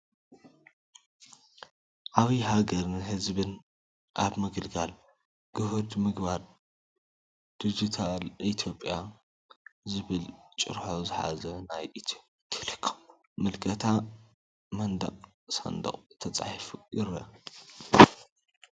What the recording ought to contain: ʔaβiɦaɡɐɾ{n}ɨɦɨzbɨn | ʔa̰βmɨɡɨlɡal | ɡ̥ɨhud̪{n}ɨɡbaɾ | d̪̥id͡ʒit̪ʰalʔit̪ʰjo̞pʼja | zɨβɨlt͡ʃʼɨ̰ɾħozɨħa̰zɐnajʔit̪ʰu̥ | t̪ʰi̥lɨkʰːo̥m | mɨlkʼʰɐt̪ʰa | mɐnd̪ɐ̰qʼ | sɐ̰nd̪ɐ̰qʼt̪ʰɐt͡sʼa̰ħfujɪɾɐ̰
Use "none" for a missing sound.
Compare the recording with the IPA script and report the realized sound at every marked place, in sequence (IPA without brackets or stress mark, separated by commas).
n, m